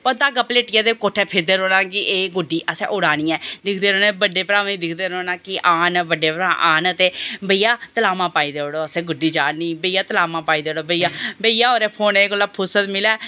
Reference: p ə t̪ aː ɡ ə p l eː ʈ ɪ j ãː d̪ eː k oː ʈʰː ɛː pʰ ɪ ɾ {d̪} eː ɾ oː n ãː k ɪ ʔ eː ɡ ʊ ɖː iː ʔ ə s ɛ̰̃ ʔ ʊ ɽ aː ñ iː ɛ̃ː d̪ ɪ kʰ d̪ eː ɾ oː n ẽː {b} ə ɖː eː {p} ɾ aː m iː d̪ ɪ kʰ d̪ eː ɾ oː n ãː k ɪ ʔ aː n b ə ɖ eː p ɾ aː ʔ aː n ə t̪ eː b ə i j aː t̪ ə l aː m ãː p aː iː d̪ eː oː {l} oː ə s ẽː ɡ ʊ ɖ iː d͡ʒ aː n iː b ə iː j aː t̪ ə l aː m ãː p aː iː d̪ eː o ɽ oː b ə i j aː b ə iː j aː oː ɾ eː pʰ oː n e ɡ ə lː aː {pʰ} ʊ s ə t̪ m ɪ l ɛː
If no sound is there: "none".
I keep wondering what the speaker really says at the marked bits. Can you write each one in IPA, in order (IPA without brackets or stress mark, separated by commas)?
d̪, b, p, ɽ, pʰ